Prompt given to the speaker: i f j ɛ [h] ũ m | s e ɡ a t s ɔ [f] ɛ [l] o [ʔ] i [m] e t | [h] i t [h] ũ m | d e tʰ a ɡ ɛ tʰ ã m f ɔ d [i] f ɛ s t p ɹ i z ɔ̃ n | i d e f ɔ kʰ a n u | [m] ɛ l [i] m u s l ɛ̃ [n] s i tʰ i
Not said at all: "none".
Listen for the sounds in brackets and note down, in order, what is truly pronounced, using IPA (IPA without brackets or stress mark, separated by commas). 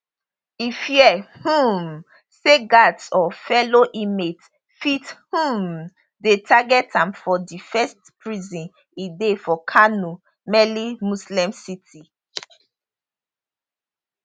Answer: h, f, l, ʔ, m, f, h, i, m, i, m